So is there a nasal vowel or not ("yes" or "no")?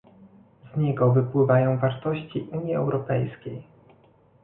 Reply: yes